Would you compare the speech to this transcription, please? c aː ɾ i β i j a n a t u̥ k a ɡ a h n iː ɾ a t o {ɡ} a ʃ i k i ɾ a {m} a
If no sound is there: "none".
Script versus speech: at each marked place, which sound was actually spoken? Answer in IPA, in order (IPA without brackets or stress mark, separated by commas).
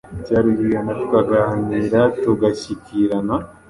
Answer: ɡ, n